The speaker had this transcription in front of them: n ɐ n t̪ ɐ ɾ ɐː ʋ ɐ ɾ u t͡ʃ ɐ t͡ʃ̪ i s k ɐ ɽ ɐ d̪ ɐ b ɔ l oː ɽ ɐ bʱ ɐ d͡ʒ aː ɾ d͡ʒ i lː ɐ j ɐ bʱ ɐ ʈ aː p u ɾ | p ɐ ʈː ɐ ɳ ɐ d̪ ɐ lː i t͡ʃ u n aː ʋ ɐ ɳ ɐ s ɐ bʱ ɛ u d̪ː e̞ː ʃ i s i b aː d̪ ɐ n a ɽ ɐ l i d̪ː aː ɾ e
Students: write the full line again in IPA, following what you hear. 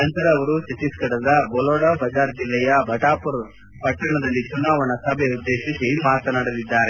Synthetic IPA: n ɐ n t̪ ɐ ɾ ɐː ʋ ɐ ɾ u t͡ʃ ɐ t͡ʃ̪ i s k ɐ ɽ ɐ d̪ ɐ b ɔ l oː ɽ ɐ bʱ ɐ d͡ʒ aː ɾ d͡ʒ i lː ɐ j ɐ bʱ ɐ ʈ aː p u ɾ | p ɐ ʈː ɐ ɳ ɐ d̪ ɐ lː i t͡ʃ u n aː ʋ ɐ ɳ ɐ s ɐ bʱ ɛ u d̪ː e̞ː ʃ i s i m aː t̪ ɐ n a ɽ ɐ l i d̪ː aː ɾ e